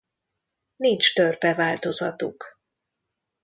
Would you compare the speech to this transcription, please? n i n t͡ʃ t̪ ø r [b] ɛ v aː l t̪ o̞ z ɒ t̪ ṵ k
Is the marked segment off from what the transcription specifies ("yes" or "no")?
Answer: yes